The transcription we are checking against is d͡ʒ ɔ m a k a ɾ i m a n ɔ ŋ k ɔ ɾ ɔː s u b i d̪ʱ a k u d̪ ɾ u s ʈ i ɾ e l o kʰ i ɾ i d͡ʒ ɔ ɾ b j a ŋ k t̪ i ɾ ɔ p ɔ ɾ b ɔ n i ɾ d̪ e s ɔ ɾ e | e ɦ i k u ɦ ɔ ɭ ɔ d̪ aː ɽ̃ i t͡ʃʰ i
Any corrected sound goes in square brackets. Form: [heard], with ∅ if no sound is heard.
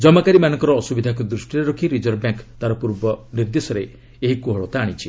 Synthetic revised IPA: d͡ʒ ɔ m a k a ɾ i m a n ɔ ŋ k ɔ ɾ ɔː s u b i d̪ʱ a k u d̪ ɾ u s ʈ i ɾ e [ɾ] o kʰ i ɾ i d͡ʒ ɔ ɾ b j a ŋ k t̪ [a] ɾ ɔ p [u] ɾ b ɔ n i ɾ d̪ e s ɔ ɾ e | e ɦ i k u ɦ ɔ ɭ ɔ [t̪] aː ɽ̃ i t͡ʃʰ i